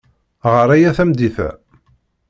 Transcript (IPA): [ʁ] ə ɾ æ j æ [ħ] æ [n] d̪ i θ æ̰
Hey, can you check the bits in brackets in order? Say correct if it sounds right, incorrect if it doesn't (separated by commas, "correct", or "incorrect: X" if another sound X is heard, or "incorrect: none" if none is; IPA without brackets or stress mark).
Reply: correct, incorrect: θ, incorrect: m